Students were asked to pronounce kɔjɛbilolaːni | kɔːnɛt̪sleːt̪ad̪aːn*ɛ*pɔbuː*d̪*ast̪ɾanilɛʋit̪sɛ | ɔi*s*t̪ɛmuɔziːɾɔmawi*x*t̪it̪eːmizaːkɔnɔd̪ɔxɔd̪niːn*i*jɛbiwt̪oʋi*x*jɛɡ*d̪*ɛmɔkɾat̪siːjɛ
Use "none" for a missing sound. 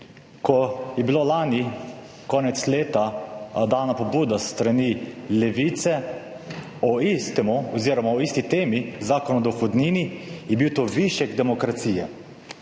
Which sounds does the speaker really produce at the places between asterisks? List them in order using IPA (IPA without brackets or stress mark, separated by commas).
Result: a, d̪, s, s, i, ʃ, d̪